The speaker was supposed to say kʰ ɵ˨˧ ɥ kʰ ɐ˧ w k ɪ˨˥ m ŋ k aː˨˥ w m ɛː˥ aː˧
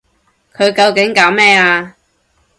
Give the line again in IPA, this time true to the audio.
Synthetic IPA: kʰ ɵ˨˧ ɥ k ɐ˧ w k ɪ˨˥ ŋ k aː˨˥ w m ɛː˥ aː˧